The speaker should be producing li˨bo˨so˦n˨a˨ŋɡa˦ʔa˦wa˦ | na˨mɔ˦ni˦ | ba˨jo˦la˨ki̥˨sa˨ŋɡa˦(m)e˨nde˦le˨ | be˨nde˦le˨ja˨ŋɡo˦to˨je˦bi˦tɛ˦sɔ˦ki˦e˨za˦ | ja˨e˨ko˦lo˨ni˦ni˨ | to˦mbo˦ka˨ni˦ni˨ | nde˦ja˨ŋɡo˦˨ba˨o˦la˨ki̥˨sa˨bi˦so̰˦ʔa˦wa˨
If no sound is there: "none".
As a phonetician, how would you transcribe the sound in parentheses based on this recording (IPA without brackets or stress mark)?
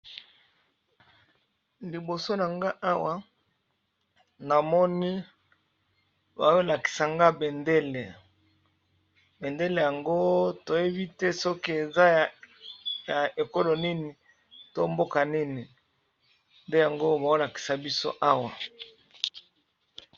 b